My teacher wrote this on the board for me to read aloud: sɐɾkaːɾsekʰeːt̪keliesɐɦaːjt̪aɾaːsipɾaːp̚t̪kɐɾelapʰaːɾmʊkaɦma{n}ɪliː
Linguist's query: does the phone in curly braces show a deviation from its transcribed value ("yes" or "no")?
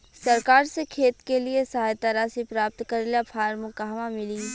yes